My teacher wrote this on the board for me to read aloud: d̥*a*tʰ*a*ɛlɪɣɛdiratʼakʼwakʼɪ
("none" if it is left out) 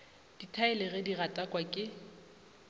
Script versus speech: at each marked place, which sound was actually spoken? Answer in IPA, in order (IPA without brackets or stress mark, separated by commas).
i, a